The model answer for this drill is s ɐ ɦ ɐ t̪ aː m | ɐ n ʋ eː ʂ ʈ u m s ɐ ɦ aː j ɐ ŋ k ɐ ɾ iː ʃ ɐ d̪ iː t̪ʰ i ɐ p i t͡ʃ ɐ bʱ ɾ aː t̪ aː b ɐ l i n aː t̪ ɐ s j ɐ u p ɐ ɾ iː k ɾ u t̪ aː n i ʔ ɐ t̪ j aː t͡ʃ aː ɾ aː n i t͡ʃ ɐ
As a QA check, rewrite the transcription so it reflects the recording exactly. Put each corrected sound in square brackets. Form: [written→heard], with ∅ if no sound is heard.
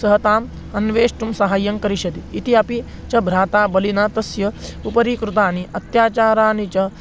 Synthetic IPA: s ɐ ɦ ɐ t̪ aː m | ɐ n ʋ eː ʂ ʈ u m s ɐ ɦ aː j ɐ ŋ k ɐ ɾ [iː→i] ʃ ɐ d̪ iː [t̪ʰ→t̪] i ɐ p i t͡ʃ ɐ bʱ ɾ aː t̪ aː b ɐ l i n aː t̪ ɐ s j ɐ u p ɐ ɾ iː k ɾ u t̪ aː n i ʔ ɐ t̪ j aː t͡ʃ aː ɾ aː n i t͡ʃ ɐ